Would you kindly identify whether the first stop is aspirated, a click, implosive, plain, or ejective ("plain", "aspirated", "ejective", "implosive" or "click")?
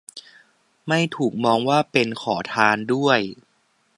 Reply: aspirated